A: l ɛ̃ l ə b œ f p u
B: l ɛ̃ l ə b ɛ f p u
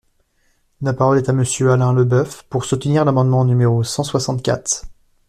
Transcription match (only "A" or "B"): A